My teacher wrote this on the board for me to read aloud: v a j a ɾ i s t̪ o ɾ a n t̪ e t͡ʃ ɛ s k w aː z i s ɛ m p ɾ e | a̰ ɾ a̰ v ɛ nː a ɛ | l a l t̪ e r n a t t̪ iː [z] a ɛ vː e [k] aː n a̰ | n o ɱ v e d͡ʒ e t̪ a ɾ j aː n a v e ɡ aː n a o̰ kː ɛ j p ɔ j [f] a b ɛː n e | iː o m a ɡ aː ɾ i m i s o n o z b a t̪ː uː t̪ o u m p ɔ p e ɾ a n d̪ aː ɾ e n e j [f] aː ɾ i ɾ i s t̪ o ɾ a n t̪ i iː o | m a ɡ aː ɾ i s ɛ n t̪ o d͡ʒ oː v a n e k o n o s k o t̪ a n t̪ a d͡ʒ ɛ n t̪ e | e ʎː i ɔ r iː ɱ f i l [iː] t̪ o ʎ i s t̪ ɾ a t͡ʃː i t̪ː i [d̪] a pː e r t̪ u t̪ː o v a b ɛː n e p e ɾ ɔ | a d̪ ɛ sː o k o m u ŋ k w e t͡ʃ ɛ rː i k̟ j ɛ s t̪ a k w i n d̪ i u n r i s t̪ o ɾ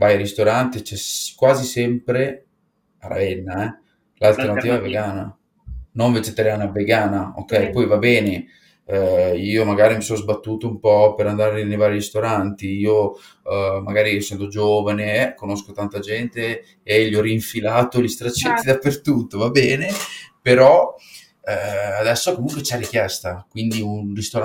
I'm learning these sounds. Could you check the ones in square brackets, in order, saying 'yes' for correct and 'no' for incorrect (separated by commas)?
no, no, no, no, no, yes